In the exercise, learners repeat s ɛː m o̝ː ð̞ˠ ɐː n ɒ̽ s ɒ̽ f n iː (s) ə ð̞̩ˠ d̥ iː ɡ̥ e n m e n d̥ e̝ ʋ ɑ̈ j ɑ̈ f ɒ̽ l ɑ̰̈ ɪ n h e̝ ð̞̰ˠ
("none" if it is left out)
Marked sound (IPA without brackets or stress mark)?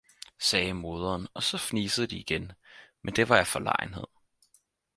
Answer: s